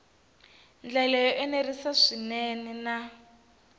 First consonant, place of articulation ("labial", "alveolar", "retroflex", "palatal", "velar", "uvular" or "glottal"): alveolar